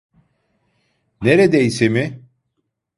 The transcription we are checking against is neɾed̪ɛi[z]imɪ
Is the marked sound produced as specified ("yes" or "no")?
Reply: no